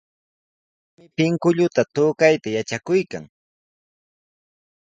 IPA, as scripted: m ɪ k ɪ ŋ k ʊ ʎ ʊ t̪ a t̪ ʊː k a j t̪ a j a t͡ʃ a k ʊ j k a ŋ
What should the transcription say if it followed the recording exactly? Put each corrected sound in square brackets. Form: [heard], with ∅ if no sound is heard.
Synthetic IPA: m ɪ [p] ɪ ŋ k ʊ ʎ ʊ t̪ a t̪ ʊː k a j t̪ a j a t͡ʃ a k ʊ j k a ŋ